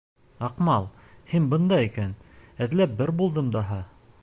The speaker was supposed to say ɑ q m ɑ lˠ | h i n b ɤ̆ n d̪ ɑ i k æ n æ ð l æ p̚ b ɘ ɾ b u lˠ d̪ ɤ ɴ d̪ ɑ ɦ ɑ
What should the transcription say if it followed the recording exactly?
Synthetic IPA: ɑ q m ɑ lˠ | h i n b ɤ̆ n d̪ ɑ i k æ n æ ð l æ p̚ b ɘ ɾ b u lˠ d̪ ɤ m d̪ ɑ ɦ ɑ